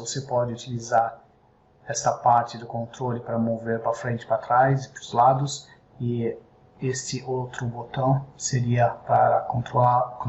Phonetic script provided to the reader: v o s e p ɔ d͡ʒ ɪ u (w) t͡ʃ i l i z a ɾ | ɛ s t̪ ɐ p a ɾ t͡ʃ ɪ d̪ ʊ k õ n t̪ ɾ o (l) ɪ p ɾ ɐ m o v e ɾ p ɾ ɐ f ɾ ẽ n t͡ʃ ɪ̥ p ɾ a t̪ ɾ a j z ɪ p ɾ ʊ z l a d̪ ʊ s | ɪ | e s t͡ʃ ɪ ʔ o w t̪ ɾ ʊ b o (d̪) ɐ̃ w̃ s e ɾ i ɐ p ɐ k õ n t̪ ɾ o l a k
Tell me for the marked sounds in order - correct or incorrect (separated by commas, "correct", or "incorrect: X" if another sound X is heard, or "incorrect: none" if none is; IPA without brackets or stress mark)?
incorrect: none, correct, incorrect: t̪